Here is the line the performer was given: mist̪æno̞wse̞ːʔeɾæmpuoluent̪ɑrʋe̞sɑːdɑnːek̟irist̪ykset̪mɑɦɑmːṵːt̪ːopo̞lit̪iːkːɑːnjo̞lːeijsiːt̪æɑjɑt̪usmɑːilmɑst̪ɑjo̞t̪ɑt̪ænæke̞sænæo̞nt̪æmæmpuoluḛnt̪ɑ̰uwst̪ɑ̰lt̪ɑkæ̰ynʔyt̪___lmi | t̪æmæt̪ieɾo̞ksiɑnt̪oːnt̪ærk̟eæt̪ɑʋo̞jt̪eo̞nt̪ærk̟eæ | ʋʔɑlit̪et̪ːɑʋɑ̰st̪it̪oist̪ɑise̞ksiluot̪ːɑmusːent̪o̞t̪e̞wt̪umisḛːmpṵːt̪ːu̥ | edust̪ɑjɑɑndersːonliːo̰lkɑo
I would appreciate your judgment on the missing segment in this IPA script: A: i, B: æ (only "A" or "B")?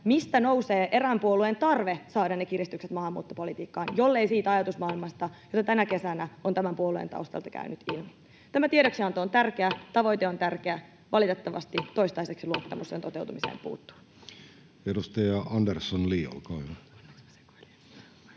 A